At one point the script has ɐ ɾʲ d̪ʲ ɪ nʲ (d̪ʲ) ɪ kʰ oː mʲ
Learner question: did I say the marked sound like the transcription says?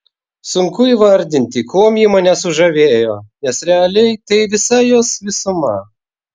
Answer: no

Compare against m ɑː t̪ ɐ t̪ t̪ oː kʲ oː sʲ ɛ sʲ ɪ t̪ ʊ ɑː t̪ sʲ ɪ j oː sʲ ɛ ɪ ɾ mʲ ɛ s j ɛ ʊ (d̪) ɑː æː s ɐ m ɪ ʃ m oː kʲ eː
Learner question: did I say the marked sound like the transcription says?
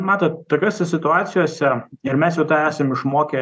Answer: no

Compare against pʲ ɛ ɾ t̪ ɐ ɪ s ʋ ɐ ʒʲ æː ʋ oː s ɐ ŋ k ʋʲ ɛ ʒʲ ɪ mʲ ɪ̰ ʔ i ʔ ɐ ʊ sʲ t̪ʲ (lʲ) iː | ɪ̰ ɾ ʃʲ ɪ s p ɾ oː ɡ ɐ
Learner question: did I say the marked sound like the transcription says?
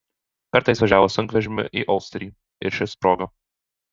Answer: no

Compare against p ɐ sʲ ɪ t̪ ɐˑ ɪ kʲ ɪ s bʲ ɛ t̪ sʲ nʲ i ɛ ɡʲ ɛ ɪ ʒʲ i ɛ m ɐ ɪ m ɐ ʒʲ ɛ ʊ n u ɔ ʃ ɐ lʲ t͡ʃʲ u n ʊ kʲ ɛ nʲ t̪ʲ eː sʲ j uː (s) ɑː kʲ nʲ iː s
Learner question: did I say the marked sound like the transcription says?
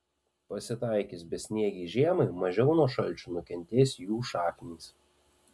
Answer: no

